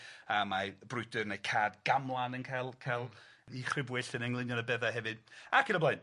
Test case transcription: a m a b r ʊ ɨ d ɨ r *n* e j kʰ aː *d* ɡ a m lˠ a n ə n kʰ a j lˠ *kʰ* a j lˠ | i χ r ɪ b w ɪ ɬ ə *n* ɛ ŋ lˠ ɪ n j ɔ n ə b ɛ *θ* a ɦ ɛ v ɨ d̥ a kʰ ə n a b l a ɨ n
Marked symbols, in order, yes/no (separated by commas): yes, yes, yes, yes, no